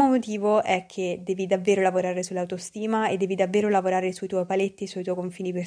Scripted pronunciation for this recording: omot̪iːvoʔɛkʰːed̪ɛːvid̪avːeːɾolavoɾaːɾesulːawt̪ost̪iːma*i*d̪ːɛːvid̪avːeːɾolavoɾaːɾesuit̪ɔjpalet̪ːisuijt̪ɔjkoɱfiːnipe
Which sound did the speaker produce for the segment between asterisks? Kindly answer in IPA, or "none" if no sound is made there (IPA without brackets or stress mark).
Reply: e